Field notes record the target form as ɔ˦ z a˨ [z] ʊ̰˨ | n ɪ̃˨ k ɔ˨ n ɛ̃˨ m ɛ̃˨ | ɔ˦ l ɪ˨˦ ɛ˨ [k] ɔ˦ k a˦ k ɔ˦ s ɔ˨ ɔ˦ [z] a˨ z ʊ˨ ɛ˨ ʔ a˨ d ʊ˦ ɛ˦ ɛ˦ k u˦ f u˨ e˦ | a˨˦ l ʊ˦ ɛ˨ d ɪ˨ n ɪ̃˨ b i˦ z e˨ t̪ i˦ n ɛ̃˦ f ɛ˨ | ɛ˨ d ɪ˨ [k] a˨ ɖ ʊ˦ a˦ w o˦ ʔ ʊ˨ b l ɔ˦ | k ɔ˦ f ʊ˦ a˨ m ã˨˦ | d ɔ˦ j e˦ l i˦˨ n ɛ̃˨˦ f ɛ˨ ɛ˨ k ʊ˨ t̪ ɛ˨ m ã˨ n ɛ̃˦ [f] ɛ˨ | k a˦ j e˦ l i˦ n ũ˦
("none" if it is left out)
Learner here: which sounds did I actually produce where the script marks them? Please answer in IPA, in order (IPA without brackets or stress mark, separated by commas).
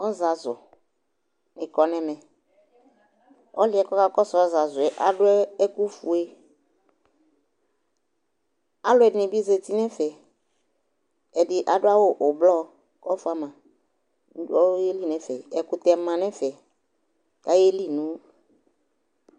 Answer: z, k, z, ʔ, f